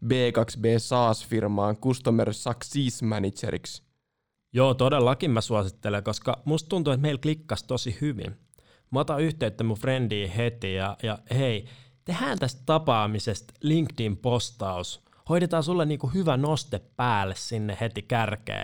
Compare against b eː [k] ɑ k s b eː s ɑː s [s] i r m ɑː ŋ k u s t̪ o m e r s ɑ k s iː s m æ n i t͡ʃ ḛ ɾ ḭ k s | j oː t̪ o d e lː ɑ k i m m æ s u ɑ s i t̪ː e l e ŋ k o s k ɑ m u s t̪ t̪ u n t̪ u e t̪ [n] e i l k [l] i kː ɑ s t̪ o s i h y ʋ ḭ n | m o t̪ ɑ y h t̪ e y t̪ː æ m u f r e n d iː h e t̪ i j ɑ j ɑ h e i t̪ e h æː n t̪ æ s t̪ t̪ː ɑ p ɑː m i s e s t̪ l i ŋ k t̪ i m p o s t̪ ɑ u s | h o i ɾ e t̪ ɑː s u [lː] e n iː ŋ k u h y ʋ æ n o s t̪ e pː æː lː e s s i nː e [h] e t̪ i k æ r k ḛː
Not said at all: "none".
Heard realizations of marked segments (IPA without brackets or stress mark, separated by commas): k, f, m, l, lː, h